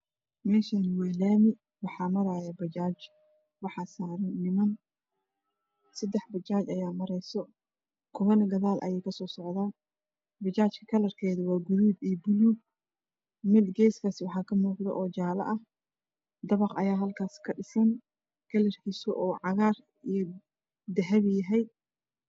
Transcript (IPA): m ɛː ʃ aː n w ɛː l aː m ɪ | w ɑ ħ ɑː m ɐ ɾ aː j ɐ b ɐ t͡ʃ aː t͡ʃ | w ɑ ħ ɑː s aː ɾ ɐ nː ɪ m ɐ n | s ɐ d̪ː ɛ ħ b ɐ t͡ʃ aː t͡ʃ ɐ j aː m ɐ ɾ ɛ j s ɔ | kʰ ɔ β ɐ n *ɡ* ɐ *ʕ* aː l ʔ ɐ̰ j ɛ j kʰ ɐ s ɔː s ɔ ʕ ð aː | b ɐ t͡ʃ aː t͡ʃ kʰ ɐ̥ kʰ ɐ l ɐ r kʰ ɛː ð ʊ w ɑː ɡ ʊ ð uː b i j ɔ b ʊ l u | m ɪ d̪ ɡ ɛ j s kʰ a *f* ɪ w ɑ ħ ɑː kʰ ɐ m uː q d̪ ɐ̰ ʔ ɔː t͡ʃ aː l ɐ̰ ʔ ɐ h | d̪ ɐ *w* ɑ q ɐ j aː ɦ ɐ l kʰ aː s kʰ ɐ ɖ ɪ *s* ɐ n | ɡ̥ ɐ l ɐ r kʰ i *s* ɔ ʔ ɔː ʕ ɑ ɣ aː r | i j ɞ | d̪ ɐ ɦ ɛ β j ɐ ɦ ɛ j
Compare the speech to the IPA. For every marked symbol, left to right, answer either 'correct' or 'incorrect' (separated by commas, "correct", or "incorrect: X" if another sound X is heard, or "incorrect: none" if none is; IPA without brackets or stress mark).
correct, incorrect: ð, incorrect: s, incorrect: β, correct, correct